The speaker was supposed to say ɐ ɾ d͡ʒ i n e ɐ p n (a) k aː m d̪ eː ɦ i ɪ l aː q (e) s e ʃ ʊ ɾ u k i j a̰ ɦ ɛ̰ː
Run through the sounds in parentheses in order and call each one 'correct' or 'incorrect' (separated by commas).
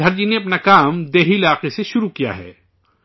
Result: correct, correct